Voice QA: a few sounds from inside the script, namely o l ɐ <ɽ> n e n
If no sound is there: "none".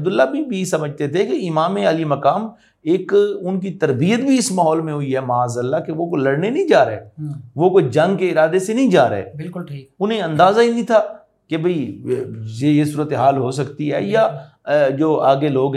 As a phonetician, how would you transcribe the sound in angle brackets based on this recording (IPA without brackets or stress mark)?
ɽ